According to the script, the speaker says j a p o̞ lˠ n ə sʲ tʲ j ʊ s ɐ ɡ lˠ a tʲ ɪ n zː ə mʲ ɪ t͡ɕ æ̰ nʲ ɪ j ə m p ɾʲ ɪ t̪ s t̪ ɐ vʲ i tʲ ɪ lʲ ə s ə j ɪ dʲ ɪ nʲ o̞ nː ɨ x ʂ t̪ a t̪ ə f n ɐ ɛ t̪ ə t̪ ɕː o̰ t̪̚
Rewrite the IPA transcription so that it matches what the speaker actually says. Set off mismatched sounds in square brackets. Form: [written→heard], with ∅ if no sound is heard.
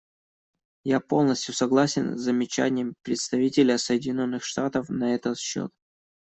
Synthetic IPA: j a p o̞ lˠ n ə sʲ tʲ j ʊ s ɐ ɡ lˠ a [tʲ→sʲ] ɪ n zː ə mʲ ɪ t͡ɕ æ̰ nʲ ɪ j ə m p ɾʲ ɪ t̪ s t̪ ɐ vʲ i tʲ ɪ lʲ ə s ə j ɪ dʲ ɪ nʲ o̞ nː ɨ x ʂ t̪ a t̪ ə f n ɐ ɛ t̪ ə t̪ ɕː o̰ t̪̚